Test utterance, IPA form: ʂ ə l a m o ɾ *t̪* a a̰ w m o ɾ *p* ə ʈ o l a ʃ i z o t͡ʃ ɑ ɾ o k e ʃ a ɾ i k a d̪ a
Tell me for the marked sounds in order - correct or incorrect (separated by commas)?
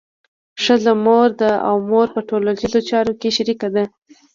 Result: incorrect, correct